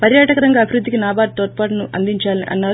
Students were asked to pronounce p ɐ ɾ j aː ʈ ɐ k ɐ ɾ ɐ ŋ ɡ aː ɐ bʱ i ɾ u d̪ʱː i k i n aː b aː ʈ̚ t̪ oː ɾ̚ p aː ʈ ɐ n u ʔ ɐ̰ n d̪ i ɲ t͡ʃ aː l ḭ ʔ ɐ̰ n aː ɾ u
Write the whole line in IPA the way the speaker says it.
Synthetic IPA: p ɐ ɾ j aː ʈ ɐ k ɐ ɾ ɐ ŋ ɡ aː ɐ bʱ i ɾ u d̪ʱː i k i n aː b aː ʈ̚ t̪ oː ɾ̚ p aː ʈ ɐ n u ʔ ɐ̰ n d̪ i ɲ t͡ʃ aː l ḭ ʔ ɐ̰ nː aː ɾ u